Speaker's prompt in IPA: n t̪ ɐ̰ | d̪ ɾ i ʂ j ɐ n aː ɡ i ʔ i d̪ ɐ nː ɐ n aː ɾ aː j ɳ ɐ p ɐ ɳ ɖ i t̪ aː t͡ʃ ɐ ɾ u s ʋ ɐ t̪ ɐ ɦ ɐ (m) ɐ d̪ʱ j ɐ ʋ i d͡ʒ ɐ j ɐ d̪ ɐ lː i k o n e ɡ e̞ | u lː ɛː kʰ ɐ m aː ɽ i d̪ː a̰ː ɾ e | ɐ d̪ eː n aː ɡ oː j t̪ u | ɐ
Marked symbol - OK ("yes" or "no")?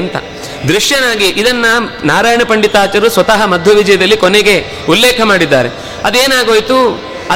yes